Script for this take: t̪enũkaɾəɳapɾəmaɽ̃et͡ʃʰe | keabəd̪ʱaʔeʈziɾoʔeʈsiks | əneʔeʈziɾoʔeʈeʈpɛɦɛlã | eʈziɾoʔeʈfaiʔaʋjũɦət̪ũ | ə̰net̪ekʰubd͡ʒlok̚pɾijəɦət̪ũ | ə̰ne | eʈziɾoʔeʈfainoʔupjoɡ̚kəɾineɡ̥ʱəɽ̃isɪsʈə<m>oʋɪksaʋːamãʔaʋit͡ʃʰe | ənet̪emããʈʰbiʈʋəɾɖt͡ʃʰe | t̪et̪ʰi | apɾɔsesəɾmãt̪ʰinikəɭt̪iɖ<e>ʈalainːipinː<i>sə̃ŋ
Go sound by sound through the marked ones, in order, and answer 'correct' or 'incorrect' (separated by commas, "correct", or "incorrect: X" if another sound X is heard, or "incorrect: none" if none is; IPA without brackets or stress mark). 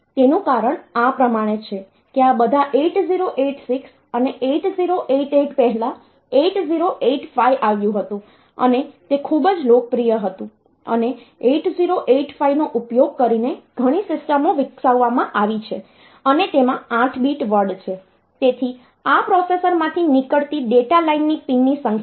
correct, correct, correct